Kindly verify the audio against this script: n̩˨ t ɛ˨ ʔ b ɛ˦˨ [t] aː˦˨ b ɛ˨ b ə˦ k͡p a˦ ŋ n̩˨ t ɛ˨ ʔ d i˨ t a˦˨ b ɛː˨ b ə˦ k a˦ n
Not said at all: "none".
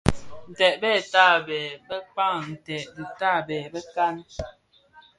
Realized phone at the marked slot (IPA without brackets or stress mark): t